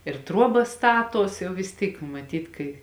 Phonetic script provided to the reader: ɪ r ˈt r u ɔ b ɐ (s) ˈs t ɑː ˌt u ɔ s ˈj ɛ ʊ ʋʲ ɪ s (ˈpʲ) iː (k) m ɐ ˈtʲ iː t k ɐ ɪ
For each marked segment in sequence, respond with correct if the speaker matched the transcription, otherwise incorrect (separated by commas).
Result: correct, incorrect, correct